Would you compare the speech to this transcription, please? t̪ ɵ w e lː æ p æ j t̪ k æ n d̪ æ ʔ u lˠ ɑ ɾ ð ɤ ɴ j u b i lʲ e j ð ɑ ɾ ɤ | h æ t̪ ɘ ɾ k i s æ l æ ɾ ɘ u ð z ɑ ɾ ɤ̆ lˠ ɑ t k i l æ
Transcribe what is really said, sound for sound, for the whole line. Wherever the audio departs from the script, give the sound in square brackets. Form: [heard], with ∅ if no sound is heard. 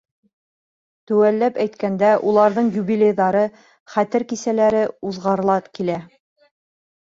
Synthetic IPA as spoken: t̪ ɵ w [æ] lː æ p æ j t̪ k æ n d̪ æ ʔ u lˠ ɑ ɾ ð ɤ ɴ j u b i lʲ e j ð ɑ ɾ ɤ | [χ] æ t̪ ɘ ɾ k i s æ l æ ɾ ɘ u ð [ʁ] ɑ ɾ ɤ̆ lˠ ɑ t k i l æ